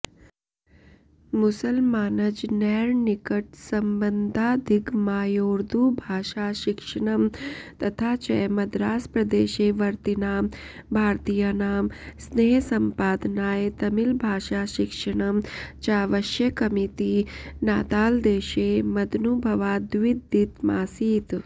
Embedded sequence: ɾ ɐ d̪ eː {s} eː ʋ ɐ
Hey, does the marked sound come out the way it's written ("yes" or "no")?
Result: no